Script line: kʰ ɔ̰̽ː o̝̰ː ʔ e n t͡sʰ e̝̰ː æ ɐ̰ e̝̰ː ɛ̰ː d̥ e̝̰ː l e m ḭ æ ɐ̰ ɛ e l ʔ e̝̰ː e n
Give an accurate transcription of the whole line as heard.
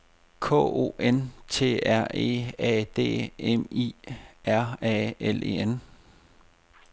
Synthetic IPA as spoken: kʰ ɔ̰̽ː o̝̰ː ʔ e n t͡sʰ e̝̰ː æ ɐ̰ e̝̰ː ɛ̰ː d̥ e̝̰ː e m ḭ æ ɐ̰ ɛ e l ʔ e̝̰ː e n